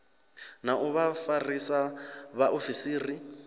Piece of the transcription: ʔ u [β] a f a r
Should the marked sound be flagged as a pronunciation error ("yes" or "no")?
no